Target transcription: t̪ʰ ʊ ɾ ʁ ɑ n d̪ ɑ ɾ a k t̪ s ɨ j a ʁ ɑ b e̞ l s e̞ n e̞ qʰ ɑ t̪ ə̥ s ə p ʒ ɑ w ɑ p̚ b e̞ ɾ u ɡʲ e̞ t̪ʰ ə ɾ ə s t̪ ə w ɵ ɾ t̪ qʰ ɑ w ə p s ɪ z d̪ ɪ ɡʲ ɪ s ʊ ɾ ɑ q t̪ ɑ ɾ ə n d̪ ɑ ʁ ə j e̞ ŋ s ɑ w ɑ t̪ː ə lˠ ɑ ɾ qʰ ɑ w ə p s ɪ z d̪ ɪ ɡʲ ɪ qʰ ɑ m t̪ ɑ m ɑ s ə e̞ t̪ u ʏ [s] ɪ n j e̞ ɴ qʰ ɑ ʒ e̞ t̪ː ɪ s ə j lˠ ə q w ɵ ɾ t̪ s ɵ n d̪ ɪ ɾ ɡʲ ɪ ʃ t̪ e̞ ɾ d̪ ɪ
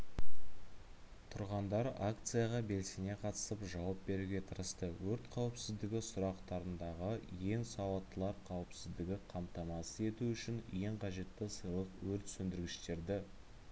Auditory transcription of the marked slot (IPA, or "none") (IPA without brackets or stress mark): ʃ